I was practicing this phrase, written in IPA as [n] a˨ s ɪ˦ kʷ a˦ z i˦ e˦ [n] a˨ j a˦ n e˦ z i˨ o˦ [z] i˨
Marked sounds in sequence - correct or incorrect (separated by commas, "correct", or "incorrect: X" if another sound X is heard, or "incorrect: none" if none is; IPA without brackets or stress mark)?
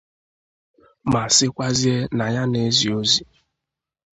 incorrect: m, correct, correct